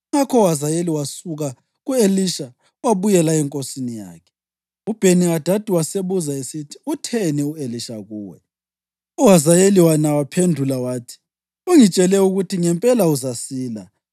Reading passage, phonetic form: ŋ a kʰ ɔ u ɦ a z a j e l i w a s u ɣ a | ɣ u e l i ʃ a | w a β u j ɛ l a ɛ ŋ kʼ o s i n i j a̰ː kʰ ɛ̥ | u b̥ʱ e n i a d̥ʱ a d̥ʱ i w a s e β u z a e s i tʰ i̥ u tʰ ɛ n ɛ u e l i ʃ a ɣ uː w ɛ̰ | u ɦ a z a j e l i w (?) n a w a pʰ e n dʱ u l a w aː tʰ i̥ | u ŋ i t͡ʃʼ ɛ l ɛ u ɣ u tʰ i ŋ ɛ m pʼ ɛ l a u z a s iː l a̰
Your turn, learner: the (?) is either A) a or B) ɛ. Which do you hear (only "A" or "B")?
A